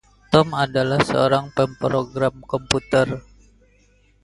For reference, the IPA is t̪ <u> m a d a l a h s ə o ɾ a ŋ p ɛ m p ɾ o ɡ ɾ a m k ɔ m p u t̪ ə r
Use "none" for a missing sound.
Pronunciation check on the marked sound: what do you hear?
ɔ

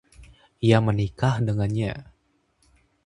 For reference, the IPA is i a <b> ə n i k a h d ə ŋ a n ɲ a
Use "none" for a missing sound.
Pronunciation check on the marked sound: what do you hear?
m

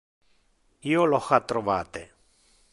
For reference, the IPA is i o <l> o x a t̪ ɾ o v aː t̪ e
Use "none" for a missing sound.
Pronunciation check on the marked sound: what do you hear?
l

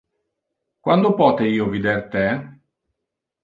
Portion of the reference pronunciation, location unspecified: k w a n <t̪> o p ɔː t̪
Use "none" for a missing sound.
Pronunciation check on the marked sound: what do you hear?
d̪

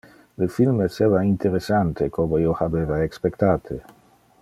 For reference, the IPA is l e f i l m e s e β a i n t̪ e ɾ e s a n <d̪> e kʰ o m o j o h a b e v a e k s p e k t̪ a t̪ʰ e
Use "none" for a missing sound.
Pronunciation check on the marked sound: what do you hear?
t̪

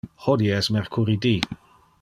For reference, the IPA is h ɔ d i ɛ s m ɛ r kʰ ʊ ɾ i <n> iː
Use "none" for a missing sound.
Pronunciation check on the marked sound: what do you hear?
d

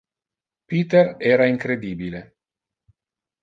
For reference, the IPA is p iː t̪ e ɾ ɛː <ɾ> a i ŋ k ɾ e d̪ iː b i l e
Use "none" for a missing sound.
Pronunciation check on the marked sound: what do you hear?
ɾ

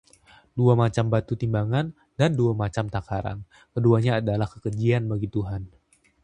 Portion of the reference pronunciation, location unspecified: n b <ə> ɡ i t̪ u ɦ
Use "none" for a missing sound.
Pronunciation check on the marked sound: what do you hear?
a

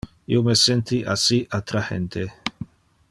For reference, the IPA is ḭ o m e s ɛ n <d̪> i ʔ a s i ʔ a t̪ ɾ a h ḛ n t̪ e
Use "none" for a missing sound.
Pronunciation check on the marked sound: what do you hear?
t̪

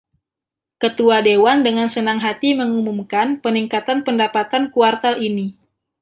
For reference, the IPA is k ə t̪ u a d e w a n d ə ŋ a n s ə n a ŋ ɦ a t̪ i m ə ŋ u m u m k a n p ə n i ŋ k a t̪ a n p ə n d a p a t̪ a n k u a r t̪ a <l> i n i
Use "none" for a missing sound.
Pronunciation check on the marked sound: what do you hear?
l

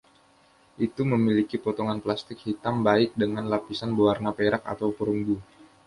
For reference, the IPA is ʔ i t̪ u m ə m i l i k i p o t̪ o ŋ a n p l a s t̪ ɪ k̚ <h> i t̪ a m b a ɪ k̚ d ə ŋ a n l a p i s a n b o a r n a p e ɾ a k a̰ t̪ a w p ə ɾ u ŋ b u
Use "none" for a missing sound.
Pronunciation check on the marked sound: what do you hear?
h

